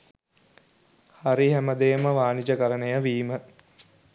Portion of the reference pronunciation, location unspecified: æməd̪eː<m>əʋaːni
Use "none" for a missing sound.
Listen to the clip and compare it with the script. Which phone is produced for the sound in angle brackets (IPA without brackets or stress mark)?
m